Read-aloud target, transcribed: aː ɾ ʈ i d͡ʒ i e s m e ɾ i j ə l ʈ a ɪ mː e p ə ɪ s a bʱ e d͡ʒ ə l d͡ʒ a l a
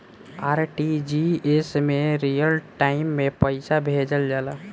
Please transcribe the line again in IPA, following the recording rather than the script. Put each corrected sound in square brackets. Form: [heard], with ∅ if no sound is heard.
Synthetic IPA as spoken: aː ɾ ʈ i d͡ʒ i e s m e ɾ i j ə l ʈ a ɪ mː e p ə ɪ s a bʱ e d͡ʒ ə l d͡ʒ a l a